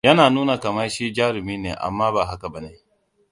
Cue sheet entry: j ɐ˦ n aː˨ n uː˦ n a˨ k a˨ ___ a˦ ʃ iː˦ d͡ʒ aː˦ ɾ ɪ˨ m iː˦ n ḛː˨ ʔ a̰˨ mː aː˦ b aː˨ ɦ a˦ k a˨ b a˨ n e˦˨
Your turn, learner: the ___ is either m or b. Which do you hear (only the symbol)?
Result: m